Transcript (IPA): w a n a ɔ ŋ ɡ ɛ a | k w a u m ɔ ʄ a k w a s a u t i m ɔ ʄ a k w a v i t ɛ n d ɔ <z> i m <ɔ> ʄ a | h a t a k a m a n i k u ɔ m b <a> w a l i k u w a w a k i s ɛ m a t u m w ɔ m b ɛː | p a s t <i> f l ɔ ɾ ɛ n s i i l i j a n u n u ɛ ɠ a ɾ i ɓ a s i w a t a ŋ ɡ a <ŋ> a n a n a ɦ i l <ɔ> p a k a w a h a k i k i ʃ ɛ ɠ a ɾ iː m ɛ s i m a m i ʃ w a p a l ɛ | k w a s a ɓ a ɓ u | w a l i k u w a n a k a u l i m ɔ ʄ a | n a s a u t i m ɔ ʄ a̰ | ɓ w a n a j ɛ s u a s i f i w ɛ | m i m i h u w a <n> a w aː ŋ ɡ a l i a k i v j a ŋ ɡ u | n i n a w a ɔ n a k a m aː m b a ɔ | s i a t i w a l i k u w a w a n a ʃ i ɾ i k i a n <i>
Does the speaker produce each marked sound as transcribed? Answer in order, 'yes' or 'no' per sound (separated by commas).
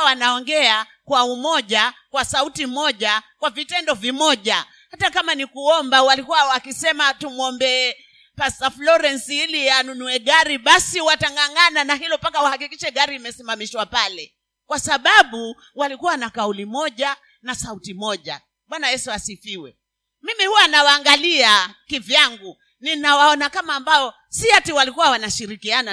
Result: no, yes, yes, no, yes, yes, yes, no